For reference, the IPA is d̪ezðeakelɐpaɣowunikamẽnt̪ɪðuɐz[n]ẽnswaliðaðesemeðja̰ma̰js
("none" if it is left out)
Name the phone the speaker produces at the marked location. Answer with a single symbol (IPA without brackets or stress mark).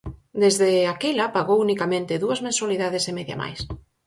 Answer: m